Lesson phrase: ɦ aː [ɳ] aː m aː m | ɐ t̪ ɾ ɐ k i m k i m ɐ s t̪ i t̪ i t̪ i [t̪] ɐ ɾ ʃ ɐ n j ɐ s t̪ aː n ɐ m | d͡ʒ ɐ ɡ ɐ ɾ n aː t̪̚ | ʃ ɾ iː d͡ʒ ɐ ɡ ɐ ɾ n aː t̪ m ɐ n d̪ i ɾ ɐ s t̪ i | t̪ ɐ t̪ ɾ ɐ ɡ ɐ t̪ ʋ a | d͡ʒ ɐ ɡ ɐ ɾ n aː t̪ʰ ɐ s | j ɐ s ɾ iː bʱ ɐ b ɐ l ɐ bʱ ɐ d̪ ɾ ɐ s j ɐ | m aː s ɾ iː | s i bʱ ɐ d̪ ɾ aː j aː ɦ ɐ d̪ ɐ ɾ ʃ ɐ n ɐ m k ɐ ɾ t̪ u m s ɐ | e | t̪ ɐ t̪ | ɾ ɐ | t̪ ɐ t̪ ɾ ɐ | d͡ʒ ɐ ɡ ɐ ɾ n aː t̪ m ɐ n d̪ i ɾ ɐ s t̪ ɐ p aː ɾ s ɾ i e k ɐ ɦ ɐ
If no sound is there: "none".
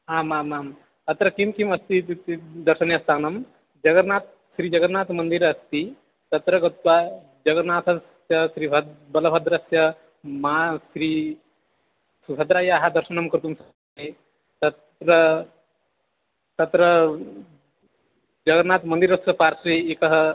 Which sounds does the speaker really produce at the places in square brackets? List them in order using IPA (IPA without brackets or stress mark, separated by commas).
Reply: m, d̪